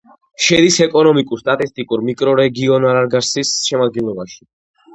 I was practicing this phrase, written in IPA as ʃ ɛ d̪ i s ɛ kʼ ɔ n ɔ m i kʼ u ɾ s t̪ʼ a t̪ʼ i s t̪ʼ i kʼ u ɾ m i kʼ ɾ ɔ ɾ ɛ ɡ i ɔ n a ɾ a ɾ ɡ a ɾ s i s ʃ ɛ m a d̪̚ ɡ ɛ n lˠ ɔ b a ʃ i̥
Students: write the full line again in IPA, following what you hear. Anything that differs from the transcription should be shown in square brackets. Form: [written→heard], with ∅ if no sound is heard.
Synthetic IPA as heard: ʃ ɛ d̪ i s ɛ kʼ ɔ n ɔ m i kʼ u ɾ s t̪ʼ a t̪ʼ i s t̪ʼ i kʼ u ɾ m i kʼ ɾ ɔ ɾ ɛ ɡ i ɔ n a ɾ a ɾ ɡ a ɾ s i s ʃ ɛ m a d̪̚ ɡ ɛ n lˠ ɔ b a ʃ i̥